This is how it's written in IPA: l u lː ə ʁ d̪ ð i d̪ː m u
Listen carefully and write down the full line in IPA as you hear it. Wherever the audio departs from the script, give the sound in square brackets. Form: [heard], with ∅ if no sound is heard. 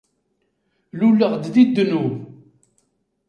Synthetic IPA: l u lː ə ʁ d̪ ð i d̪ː [n] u